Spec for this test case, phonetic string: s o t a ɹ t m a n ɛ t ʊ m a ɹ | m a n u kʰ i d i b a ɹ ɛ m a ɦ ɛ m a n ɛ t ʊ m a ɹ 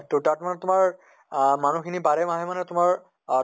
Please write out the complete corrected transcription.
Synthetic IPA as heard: t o t a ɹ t m a n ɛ t ʊ m a ɹ | m a n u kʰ i n i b a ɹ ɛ m a ɦ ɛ m a n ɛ t ʊ m a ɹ